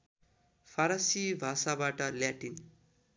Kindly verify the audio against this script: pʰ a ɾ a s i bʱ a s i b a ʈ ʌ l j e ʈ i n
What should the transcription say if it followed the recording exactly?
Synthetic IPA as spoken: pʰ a ɾ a s i bʱ a s a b a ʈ ʌ l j a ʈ i n